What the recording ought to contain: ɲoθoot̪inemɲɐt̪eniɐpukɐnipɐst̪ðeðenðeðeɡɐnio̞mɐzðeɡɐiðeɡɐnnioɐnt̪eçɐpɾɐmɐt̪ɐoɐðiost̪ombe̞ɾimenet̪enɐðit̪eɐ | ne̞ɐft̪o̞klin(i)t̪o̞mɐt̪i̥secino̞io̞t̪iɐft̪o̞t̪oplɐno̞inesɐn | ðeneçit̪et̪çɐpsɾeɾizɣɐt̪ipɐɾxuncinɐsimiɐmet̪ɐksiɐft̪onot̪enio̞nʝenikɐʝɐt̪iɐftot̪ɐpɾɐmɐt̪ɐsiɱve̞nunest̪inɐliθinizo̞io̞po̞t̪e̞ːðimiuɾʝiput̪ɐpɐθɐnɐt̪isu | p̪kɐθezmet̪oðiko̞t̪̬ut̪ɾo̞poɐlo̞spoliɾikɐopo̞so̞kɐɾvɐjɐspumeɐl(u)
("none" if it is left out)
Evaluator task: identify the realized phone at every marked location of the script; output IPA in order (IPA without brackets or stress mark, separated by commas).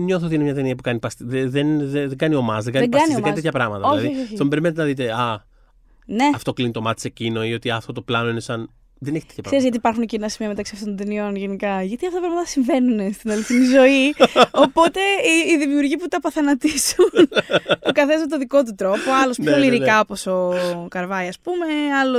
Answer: i, o